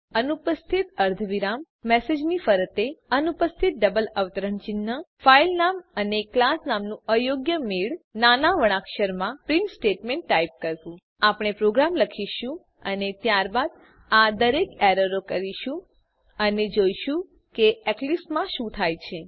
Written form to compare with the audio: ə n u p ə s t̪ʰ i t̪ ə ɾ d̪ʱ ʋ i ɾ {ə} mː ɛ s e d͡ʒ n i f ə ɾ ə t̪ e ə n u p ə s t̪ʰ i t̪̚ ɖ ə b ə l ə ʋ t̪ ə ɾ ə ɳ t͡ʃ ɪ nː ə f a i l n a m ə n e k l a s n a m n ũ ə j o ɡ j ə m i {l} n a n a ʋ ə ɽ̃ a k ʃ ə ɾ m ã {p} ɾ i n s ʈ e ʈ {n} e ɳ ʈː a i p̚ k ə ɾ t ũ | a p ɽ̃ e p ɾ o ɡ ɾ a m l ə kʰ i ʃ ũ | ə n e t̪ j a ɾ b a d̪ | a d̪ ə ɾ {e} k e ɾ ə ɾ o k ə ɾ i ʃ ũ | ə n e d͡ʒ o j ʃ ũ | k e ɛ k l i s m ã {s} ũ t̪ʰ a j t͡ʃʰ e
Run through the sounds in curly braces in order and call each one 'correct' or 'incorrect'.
incorrect: a, incorrect: ɭ, correct, incorrect: m, correct, incorrect: ʃ

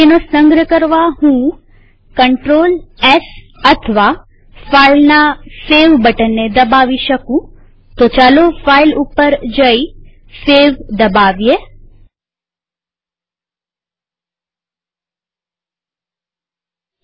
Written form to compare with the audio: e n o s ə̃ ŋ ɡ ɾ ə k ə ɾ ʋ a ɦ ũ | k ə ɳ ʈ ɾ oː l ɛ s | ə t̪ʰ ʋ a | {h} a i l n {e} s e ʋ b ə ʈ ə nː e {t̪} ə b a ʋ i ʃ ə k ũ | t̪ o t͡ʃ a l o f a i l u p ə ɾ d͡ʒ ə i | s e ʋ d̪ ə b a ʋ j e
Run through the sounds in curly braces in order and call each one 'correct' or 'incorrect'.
incorrect: f, incorrect: a, incorrect: d̪

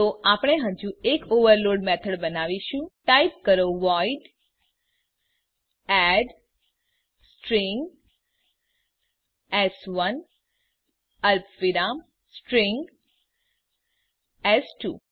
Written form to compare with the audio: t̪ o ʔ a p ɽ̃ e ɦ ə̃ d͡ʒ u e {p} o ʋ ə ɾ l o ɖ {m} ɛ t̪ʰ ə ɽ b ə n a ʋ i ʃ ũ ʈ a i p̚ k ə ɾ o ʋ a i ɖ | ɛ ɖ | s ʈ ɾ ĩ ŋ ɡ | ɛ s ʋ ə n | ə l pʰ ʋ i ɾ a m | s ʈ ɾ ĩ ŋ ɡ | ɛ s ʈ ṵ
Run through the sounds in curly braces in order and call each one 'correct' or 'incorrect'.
incorrect: k, correct

